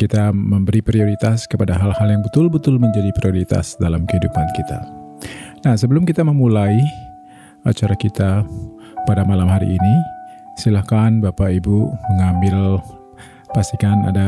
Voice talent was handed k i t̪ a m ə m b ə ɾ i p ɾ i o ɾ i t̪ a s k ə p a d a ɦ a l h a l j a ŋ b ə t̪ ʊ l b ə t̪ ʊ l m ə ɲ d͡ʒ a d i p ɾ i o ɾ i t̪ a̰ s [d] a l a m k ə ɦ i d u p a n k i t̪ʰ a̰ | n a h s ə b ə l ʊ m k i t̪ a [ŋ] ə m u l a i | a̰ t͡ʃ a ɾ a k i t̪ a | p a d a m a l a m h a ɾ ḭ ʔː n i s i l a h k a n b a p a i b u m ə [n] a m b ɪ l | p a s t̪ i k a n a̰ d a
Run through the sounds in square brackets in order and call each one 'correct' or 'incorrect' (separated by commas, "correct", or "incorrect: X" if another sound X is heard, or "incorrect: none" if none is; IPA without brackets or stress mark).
correct, incorrect: m, incorrect: ŋ